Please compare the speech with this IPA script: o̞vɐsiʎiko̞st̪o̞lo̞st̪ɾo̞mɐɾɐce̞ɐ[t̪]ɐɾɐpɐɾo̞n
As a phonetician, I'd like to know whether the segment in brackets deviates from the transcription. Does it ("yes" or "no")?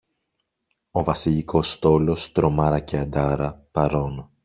yes